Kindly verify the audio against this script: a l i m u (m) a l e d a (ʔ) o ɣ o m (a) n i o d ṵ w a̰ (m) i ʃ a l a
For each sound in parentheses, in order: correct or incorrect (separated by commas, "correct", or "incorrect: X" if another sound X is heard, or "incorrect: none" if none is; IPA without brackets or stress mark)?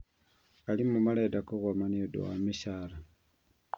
correct, incorrect: k, correct, correct